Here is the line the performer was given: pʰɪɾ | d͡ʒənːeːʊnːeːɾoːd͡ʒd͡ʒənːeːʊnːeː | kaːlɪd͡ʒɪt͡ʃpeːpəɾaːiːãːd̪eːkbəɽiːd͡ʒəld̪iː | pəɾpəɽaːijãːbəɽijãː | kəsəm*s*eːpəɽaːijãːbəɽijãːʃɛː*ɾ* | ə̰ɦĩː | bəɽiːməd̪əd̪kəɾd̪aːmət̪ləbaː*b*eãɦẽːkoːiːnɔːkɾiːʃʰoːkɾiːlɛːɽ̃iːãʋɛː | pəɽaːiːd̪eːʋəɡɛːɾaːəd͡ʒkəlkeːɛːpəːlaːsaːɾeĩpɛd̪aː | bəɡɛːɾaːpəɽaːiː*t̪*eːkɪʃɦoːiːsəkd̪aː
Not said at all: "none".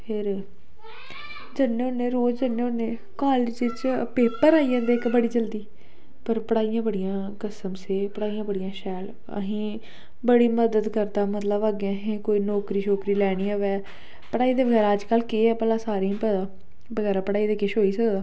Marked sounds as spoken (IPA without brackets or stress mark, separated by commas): s, l, ɡ, d̪